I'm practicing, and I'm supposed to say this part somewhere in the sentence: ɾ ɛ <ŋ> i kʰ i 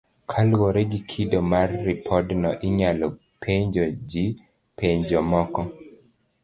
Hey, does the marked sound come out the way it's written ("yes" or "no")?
no